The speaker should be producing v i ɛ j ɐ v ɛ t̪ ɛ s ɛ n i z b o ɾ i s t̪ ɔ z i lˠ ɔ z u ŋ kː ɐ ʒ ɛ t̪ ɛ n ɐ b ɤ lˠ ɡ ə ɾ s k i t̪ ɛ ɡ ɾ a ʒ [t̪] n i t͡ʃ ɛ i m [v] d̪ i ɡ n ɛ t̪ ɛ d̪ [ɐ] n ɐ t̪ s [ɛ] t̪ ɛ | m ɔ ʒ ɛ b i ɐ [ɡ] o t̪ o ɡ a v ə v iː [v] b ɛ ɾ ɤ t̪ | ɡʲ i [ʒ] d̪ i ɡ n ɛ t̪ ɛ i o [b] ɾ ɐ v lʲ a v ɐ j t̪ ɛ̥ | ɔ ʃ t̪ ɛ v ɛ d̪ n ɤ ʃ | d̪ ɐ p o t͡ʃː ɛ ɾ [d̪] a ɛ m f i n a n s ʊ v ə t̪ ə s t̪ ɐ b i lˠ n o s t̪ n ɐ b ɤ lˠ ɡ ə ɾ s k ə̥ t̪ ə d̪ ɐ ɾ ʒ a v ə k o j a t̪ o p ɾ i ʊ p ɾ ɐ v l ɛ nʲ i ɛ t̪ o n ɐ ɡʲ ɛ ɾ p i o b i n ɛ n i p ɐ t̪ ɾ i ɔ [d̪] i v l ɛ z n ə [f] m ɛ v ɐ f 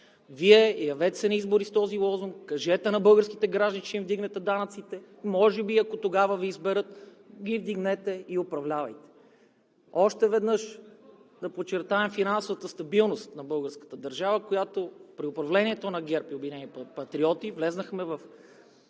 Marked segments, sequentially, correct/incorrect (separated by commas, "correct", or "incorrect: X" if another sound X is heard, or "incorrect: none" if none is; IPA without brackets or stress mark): incorrect: d̪, correct, incorrect: a, incorrect: i, incorrect: k, incorrect: z, incorrect: v, incorrect: p, incorrect: t̪, incorrect: t̪, incorrect: x